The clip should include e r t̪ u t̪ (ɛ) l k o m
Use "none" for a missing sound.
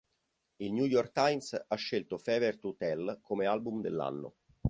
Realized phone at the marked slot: ɛ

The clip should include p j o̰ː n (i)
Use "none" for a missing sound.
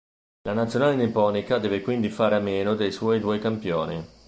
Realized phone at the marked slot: i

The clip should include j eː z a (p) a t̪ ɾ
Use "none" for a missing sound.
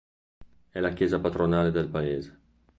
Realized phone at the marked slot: p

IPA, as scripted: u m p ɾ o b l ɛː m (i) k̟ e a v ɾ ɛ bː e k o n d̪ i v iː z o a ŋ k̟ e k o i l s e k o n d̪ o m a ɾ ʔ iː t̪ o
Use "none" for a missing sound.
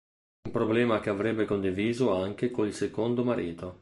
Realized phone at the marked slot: a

